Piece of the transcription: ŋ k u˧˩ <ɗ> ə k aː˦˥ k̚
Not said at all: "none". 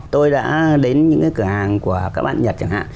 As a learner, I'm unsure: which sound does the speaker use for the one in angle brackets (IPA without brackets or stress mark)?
none